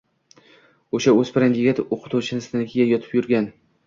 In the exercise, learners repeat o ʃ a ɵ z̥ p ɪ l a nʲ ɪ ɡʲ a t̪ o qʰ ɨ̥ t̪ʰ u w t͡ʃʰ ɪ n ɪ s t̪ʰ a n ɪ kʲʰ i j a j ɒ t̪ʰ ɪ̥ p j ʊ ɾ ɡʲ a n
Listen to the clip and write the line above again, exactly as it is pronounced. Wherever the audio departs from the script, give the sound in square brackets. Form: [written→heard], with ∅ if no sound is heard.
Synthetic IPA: o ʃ a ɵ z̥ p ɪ [l→ɾ] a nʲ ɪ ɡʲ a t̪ o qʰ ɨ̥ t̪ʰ u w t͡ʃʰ ɪ n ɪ s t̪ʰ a n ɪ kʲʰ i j a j ɒ t̪ʰ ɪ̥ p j ʊ ɾ ɡʲ a n